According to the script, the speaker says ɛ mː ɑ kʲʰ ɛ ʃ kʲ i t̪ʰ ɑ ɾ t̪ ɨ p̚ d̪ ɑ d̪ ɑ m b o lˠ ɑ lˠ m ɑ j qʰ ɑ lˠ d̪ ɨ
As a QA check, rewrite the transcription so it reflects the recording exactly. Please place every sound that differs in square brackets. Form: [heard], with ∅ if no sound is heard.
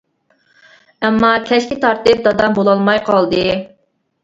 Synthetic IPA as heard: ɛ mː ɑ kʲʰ ɛ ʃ kʲ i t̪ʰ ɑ ɾ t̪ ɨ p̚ d̪ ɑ d̪ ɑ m b o lˠ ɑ lˠ m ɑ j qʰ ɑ lˠ d̪ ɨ